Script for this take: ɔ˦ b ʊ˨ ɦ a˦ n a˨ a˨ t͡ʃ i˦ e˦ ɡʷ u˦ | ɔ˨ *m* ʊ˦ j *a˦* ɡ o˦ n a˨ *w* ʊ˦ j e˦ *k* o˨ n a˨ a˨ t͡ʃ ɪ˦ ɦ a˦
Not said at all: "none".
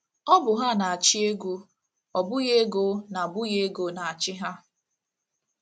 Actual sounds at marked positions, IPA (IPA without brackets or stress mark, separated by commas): b, e˦, b, ɡ